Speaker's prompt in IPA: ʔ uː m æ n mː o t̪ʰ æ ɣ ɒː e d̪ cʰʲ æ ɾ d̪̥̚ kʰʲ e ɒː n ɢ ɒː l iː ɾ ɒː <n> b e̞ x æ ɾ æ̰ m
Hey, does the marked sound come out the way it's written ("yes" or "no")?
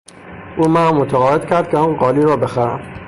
no